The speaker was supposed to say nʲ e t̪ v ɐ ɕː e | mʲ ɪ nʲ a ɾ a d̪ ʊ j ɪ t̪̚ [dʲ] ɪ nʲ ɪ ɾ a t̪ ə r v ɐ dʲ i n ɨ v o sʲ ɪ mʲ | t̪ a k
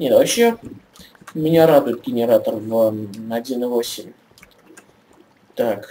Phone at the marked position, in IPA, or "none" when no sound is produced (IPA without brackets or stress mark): ɡʲ